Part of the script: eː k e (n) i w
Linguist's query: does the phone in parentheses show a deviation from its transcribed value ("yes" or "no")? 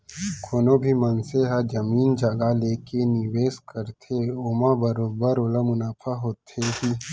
no